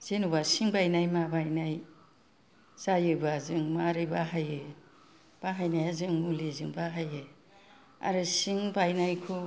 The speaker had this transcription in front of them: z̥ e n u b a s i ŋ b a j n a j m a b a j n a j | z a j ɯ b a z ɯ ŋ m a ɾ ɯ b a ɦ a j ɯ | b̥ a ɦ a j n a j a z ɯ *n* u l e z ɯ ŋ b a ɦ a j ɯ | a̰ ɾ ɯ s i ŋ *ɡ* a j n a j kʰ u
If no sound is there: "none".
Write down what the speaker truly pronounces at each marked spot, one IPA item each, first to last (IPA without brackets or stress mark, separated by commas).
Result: ŋ, b